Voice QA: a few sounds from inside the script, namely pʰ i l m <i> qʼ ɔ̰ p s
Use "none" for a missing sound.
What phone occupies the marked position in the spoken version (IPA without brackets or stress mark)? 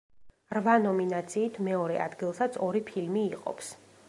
iː